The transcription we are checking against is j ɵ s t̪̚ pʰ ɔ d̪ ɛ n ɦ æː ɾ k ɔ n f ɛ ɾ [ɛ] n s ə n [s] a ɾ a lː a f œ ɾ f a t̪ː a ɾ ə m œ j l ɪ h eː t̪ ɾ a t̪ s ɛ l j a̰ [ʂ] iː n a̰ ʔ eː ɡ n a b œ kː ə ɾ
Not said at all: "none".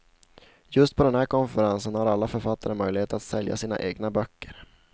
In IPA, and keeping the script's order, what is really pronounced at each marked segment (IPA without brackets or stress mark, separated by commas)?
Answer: a, h, s